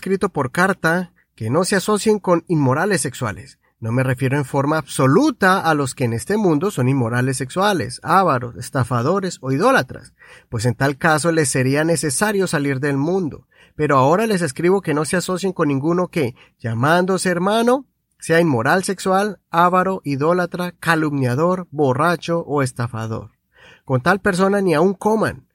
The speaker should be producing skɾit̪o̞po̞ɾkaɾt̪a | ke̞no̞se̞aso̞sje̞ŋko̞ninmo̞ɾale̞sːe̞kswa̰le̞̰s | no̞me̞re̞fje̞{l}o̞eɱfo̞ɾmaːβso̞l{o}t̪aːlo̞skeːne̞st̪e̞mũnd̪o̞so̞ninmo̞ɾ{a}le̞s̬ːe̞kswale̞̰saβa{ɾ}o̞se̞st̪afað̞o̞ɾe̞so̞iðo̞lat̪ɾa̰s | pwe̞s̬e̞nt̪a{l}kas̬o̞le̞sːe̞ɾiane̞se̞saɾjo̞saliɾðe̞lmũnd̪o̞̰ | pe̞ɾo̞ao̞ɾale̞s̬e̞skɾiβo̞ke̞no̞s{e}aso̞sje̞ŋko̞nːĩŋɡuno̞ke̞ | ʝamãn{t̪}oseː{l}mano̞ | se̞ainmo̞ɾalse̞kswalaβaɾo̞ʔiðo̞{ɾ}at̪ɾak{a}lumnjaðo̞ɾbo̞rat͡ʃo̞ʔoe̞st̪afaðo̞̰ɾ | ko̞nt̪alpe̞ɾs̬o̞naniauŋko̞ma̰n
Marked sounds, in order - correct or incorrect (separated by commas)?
incorrect, incorrect, correct, correct, correct, correct, incorrect, incorrect, incorrect, correct